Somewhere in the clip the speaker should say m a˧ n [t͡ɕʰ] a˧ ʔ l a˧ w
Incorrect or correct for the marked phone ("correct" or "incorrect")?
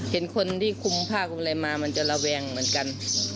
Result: incorrect